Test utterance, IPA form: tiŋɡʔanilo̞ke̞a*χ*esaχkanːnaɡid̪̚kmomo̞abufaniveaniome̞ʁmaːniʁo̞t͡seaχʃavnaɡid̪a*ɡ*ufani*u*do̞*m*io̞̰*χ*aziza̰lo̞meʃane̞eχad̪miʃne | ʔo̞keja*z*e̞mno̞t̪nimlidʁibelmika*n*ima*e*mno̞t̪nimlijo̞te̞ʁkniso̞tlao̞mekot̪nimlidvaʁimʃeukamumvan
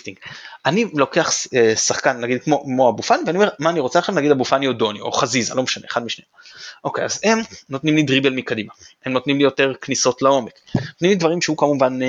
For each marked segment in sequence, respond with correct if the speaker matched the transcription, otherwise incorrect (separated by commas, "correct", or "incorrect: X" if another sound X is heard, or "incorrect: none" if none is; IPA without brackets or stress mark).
correct, incorrect: b, incorrect: o, incorrect: n, correct, correct, incorrect: d, correct